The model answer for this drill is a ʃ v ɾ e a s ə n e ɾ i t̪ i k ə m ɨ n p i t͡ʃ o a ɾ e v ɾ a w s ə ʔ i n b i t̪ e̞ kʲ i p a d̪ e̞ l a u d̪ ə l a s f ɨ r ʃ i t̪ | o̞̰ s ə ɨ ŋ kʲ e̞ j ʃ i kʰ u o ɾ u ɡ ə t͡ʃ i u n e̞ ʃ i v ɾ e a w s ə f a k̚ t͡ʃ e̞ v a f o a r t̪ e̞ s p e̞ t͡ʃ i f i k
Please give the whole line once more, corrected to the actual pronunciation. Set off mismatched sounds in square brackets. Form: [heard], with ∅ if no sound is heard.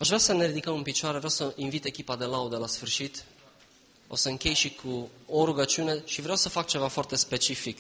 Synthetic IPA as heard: a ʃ v ɾ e a s ə n e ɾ i [d̪] i k ə m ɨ n p i t͡ʃ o a ɾ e v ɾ a w s ə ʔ i n [v] i t̪ e̞ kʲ i p a d̪ e̞ l a u d̪ ə l a s f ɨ r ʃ i t̪ | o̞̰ s ə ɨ ŋ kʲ e̞ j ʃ i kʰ u o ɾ u ɡ ə t͡ʃ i u n e̞ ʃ i v ɾ e a w s ə f a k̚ t͡ʃ e̞ v a f o a r t̪ e̞ s p e̞ t͡ʃ i f i k